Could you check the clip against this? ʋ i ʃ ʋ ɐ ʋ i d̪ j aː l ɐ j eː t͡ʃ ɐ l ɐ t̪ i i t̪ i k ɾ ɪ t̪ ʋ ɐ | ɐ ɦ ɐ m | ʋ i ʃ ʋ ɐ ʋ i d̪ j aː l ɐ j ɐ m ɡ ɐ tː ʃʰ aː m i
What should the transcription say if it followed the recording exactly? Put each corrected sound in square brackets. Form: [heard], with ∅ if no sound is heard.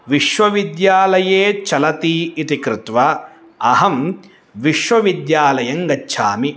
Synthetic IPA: ʋ i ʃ ʋ ɐ ʋ i d̪ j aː l ɐ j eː t͡ʃ ɐ l ɐ t̪ i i t̪ i k ɾ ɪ t̪ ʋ ɐ | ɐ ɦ ɐ m | ʋ i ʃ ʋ ɐ ʋ i d̪ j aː l ɐ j ɐ [ŋ] ɡ ɐ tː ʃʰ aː m i